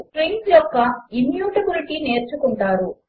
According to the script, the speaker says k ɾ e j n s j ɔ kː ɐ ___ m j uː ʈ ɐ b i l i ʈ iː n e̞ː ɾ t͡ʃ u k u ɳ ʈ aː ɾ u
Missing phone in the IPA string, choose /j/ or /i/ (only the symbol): i